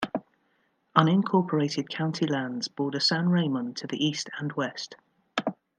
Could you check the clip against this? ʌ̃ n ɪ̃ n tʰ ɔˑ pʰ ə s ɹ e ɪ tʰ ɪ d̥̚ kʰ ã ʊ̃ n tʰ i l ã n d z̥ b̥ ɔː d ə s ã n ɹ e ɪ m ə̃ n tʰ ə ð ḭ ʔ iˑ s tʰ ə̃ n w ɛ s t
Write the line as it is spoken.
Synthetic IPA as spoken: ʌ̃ n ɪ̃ n kʰ ɔˑ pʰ ə ɹ e ɪ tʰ ɪ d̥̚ kʰ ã ʊ̃ n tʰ i l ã n d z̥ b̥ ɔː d ə s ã n ɹ e ɪ m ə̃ n tʰ ə ð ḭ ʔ iˑ s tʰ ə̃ n w ɛ s t